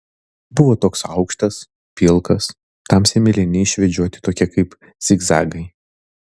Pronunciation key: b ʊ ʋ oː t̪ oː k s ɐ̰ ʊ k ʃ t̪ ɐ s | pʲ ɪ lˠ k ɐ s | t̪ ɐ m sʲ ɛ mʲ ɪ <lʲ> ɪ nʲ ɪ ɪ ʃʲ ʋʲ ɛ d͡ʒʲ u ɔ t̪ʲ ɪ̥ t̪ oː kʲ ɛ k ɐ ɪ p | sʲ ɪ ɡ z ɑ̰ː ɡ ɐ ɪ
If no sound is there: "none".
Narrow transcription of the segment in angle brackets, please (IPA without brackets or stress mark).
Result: lʲ